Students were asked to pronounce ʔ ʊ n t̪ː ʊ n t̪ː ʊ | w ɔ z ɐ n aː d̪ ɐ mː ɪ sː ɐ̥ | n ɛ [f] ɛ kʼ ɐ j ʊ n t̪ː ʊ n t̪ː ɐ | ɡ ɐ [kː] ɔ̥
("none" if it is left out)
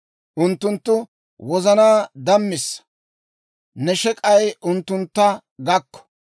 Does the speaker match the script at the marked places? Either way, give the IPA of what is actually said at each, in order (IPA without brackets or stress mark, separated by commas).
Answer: ʃ, kː